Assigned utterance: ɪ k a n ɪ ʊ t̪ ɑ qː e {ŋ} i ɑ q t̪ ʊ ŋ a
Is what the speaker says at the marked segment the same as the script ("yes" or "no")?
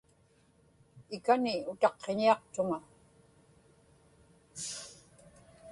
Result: no